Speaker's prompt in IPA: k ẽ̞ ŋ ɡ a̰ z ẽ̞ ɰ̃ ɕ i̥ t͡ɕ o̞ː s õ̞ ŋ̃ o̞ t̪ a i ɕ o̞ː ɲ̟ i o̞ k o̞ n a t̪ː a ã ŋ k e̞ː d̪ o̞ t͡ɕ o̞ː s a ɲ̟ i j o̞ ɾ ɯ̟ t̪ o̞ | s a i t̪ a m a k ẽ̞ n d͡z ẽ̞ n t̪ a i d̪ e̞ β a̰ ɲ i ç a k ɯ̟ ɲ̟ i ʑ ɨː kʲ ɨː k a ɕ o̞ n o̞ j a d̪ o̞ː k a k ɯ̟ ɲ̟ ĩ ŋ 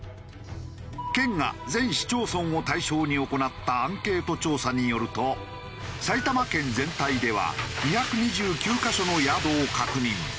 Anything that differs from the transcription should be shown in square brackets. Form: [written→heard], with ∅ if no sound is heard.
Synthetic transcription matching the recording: k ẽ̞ ŋ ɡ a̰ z ẽ̞ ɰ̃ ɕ i̥ t͡ɕ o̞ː s õ̞ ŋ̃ o̞ t̪ a i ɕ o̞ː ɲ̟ i o̞ k o̞ n a t̪ː a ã ŋ k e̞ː [d̪→t̪] o̞ t͡ɕ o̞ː s a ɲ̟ i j o̞ ɾ ɯ̟ t̪ o̞ | s a i t̪ a m a k ẽ̞ n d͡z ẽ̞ n t̪ a i d̪ e̞ β a̰ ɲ i ç a k ɯ̟ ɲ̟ i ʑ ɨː kʲ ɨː k a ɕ o̞ n o̞ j a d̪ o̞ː k a k ɯ̟ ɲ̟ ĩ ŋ